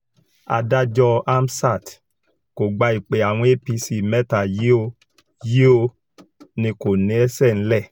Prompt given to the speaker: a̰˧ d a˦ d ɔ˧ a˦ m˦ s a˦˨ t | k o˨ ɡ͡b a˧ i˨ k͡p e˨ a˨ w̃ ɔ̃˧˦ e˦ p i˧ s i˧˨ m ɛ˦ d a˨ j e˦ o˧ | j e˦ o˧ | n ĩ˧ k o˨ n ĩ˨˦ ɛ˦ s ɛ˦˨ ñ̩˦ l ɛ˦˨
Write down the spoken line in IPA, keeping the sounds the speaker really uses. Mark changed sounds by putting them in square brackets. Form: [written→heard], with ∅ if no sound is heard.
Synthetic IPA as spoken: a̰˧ d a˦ [d→d͡ʒ] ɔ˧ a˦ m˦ s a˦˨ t | k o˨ ɡ͡b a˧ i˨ k͡p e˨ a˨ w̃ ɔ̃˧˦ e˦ p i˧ s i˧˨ m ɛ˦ [d→t] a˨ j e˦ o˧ | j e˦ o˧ | n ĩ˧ k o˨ n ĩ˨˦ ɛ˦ s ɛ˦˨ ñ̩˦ l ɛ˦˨

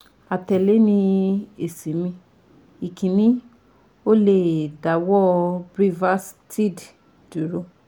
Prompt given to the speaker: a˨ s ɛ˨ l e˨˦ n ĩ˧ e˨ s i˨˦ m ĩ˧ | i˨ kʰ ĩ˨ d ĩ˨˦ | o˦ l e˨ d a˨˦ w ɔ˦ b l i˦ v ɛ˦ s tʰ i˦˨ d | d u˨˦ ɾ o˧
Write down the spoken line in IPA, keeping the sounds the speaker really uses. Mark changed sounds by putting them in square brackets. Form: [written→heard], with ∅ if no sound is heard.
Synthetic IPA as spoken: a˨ [s→t] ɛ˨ l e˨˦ n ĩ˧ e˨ s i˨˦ m ĩ˧ | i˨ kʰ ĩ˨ [d→n] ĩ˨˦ | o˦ l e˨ d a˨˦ w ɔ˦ b [l→ɾ] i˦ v [ɛ˦→a˦] s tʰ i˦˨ d | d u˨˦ ɾ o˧

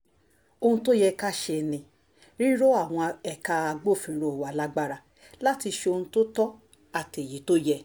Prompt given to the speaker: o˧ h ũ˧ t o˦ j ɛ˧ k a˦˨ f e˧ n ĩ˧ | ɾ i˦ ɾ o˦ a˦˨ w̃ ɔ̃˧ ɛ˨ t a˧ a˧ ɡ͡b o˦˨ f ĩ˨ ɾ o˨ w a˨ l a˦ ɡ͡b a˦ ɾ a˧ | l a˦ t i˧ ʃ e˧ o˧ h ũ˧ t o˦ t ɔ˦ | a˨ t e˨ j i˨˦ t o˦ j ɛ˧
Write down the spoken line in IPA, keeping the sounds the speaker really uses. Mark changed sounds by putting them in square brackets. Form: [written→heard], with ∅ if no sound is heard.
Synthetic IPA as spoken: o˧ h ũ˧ t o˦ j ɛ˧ k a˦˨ [f→ʃ] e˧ n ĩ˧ | ɾ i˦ ɾ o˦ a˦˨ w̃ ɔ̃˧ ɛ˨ [t→k] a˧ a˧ ɡ͡b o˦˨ f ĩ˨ ɾ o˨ w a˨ l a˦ ɡ͡b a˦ ɾ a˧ | l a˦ t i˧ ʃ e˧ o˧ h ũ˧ t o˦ t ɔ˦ | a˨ t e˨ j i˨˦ t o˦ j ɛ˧

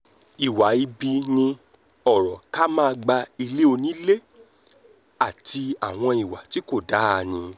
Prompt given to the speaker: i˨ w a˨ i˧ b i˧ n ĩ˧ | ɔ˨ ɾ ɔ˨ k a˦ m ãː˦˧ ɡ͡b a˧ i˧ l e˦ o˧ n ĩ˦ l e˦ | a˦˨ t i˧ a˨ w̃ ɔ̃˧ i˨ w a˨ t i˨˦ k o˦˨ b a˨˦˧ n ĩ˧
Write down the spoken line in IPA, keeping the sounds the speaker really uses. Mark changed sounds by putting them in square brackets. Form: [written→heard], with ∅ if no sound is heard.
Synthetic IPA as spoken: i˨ w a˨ i˧ b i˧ n ĩ˧ | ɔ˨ ɾ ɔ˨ k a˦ m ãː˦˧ ɡ͡b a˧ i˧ l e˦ o˧ n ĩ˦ l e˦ | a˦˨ t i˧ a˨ w̃ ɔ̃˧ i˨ w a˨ t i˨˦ k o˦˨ [b→d] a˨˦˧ n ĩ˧

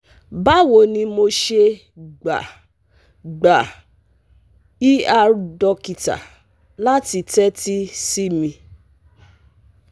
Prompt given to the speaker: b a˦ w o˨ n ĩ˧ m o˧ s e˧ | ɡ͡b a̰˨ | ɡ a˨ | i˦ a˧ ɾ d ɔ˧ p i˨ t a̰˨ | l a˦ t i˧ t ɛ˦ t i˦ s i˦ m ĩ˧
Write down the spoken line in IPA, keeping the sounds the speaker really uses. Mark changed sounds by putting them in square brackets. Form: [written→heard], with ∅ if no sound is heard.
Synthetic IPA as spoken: b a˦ w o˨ n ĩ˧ m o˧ [s→ʃ] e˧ | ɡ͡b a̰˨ | [ɡ→ɡ͡b] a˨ | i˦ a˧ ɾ d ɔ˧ [p→k] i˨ t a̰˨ | l a˦ t i˧ t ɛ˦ t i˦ s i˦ m ĩ˧

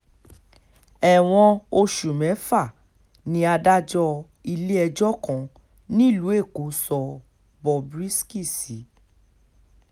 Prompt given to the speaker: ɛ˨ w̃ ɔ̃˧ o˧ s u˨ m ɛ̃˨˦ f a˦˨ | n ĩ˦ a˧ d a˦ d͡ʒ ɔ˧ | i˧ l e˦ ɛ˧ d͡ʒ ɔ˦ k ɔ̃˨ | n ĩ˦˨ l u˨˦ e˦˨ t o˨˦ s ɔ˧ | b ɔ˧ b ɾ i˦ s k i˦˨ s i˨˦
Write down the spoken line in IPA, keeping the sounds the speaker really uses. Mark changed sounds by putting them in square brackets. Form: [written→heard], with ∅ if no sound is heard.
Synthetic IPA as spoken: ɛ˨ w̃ ɔ̃˧ o˧ [s→ʃ] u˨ m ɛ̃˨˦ f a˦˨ | n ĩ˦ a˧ d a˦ d͡ʒ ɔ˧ | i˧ l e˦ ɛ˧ d͡ʒ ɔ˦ k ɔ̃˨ | n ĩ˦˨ l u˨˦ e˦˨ [t→k] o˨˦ s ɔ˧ | b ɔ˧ b ɾ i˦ s k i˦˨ s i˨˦

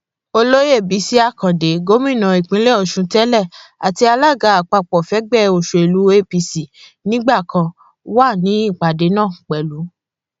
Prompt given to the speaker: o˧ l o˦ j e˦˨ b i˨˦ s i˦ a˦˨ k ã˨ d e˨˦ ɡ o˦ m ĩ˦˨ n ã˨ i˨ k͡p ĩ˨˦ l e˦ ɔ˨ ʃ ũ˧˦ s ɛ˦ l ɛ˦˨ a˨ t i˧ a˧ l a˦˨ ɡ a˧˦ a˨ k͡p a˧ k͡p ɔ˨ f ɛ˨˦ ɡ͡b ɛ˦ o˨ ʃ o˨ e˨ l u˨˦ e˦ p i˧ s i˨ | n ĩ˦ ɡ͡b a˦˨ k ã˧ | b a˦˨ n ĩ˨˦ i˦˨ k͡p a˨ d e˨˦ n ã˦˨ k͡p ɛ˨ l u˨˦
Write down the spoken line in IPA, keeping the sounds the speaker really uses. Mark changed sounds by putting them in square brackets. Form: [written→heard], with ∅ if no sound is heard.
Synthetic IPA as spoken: o˧ l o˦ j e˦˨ b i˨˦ s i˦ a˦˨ k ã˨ d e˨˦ ɡ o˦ m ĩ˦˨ n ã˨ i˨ k͡p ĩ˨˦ l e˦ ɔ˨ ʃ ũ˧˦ [s→t] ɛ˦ l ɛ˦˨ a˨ t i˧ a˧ l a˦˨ ɡ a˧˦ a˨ k͡p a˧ k͡p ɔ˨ f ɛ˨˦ ɡ͡b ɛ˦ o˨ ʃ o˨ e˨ l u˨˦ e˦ p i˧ s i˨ | n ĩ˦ ɡ͡b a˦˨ k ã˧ | [b→w] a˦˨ n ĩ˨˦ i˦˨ k͡p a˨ d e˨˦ n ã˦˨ k͡p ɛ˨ l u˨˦

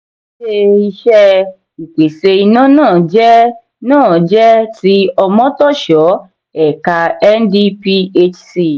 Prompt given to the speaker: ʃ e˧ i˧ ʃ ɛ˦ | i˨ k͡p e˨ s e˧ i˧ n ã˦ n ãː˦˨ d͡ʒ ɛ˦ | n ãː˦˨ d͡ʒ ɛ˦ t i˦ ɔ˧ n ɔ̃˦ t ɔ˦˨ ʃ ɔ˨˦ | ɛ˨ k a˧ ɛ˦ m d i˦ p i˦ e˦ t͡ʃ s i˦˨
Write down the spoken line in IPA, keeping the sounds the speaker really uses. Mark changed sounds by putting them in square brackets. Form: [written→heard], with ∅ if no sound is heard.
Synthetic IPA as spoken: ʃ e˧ i˧ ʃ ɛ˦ | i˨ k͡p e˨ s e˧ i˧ n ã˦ n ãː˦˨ d͡ʒ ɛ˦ | n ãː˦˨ d͡ʒ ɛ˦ t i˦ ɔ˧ [n→m] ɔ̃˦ t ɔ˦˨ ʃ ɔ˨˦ | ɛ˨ k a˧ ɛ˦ [m→n] d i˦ p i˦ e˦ t͡ʃ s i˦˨

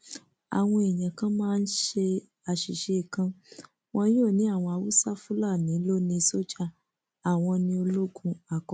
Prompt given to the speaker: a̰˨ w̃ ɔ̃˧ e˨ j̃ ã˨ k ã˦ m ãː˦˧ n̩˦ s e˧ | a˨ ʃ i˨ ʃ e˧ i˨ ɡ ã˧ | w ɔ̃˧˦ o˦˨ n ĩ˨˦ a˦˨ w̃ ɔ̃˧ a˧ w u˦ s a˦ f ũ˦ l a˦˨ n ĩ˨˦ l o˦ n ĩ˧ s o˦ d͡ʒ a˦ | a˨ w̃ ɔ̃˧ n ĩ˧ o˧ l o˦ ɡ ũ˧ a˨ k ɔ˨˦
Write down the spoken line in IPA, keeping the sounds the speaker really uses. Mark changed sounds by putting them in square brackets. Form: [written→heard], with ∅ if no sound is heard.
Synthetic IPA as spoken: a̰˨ w̃ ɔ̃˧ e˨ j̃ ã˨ k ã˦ m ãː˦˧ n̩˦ [s→ʃ] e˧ | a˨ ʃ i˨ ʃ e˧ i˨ [ɡ→k] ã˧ | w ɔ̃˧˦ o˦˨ n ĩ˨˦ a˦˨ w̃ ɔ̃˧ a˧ w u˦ s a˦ f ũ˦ l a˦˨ n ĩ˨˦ l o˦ n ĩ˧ s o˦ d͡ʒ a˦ | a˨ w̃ ɔ̃˧ n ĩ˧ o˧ l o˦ ɡ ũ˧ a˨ k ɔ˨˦

